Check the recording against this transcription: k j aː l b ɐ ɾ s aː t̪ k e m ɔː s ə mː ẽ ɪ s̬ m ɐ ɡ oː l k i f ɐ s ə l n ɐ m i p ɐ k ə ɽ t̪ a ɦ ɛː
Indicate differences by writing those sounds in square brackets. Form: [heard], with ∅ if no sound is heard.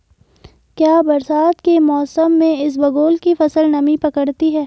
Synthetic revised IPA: k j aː [∅] b ɐ ɾ s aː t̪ k e m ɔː s ə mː ẽ ɪ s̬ [b] ɐ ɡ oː l k i f ɐ s ə l n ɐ m i p ɐ k ə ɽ t̪ [i] ɦ ɛː